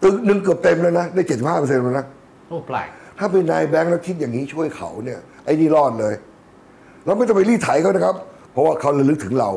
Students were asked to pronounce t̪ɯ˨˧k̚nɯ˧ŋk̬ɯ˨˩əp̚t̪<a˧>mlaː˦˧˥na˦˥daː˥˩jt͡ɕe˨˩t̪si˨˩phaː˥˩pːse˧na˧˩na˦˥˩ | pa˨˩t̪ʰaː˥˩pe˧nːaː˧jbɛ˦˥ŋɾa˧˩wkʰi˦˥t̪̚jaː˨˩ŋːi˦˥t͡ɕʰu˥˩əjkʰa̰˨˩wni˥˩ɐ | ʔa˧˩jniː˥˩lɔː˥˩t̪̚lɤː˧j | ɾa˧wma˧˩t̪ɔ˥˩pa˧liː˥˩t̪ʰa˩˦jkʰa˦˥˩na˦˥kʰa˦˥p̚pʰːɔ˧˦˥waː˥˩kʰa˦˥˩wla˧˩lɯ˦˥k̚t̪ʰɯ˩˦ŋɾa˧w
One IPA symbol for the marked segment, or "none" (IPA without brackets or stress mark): e˧